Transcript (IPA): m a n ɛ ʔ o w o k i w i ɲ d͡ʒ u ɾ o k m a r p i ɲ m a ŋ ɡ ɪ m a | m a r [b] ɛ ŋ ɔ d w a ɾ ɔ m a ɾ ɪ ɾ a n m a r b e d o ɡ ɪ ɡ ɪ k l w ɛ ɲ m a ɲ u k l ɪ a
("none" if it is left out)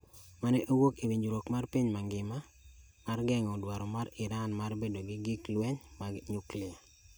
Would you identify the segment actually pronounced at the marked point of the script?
ɡ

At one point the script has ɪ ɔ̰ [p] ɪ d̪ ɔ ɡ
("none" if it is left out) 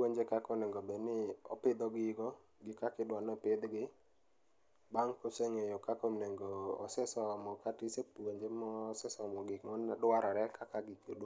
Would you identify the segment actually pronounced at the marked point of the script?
p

